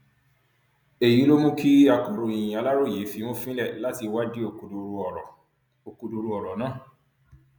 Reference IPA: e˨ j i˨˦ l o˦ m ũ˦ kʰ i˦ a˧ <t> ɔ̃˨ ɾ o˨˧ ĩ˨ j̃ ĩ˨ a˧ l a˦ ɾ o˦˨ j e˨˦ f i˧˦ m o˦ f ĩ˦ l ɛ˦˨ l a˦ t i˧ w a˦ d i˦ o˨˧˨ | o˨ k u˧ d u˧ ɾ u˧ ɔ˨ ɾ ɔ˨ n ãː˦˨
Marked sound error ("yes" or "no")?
yes